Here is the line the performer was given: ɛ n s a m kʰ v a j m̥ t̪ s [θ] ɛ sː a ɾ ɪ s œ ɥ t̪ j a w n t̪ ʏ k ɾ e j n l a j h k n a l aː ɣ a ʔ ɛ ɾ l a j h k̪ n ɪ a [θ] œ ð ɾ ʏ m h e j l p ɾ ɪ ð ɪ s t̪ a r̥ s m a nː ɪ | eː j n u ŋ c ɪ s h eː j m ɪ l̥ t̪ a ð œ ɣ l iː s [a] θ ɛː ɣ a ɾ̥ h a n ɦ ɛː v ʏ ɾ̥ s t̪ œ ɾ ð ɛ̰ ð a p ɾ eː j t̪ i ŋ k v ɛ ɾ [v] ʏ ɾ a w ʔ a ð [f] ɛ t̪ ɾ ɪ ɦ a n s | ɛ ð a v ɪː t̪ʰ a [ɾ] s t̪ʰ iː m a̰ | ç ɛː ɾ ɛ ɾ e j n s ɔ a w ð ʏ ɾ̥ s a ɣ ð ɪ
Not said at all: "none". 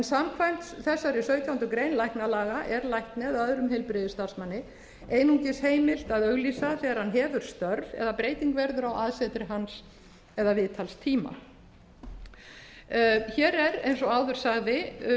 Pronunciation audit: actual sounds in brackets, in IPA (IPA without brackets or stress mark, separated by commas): θ, ð, a, ð, s, l